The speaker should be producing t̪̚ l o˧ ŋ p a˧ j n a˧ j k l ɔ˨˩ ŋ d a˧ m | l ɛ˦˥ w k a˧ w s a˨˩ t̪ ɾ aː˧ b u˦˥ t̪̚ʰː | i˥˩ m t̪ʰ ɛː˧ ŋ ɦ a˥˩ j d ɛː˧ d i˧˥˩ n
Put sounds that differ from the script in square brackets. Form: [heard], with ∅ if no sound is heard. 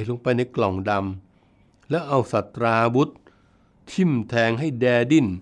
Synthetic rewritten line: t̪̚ l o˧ ŋ p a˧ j n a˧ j k l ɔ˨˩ ŋ d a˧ m | l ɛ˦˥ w [ʔ] a˧ w s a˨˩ t̪ ɾ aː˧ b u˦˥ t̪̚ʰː | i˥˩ m t̪ʰ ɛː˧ ŋ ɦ a˥˩ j d ɛː˧ d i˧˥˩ n